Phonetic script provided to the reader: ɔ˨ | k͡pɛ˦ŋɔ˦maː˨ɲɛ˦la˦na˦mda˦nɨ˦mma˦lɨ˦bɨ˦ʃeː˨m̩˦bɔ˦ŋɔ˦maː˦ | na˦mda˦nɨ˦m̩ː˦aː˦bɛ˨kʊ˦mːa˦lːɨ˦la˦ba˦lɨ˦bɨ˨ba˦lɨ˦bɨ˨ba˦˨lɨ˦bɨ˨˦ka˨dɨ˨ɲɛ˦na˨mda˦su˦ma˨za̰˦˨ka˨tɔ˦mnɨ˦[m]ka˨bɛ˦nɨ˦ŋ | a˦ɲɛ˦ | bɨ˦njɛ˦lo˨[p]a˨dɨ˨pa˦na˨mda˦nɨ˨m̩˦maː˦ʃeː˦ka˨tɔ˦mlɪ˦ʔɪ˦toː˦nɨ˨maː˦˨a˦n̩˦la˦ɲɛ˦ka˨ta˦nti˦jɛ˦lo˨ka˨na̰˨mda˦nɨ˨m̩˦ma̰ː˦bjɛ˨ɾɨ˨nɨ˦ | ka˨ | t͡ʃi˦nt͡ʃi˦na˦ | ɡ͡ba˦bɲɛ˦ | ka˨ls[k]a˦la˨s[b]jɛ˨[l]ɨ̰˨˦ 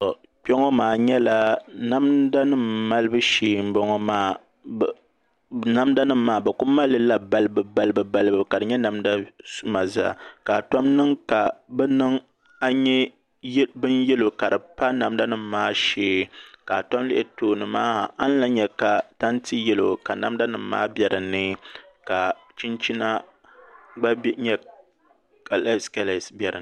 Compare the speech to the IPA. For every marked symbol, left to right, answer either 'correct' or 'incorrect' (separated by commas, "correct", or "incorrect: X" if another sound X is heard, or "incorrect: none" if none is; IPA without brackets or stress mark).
incorrect: ŋ, incorrect: k, correct, correct, incorrect: ɾ